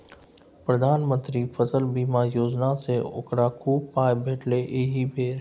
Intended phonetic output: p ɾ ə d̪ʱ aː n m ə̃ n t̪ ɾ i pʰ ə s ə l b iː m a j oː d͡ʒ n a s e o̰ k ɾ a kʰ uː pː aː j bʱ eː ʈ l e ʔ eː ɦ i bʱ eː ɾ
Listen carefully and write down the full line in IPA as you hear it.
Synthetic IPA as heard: p ɾ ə d̪ʱ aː n m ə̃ n t̪ ɾ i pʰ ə s ə l b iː m a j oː d͡ʒ n a s e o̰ k ɾ a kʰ uː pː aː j bʱ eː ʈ l e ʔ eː ɦ i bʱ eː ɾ